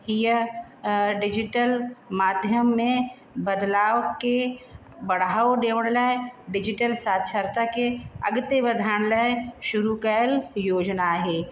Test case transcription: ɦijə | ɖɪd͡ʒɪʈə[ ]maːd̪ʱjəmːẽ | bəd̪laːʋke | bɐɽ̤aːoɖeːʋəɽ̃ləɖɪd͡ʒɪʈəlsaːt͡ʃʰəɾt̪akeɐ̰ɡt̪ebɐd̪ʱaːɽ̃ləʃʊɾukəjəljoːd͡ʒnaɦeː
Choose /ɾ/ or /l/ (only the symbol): l